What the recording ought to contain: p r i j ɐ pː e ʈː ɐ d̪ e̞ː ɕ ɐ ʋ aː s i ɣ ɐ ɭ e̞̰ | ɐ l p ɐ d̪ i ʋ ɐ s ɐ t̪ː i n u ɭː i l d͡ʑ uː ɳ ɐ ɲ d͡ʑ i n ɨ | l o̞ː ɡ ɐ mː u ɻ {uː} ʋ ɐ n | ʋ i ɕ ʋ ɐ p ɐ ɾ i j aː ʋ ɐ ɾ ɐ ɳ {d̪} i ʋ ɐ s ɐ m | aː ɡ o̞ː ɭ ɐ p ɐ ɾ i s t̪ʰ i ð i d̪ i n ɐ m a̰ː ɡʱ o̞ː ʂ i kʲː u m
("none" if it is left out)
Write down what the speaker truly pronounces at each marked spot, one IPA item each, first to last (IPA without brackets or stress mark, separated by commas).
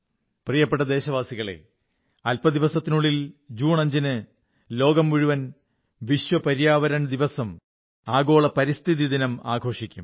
u, d̪